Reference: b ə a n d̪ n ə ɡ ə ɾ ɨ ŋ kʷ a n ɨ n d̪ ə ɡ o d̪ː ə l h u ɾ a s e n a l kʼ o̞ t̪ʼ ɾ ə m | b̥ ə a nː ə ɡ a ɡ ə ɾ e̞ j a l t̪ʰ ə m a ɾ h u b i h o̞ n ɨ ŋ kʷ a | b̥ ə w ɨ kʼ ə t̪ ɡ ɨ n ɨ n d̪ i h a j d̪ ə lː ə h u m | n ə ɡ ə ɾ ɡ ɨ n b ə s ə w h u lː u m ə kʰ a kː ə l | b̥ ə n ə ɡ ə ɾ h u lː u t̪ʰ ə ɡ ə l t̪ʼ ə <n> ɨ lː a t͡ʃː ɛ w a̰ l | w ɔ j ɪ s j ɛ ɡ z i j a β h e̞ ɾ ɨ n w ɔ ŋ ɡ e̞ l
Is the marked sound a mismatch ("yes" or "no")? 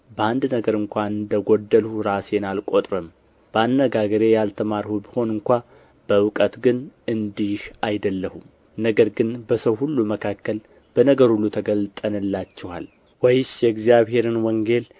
no